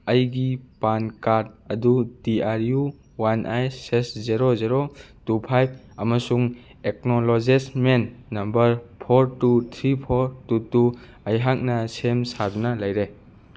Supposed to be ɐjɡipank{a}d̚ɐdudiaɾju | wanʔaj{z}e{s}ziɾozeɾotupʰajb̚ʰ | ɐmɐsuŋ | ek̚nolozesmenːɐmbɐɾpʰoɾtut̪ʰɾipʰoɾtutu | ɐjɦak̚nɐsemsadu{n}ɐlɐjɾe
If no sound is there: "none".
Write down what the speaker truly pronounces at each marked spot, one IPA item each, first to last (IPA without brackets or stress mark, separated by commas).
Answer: a, s, s, n